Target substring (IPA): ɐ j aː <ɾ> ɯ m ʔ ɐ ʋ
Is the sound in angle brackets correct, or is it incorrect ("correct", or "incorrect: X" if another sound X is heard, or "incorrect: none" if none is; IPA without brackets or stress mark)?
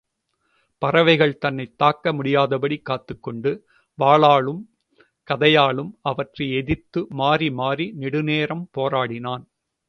incorrect: ɭ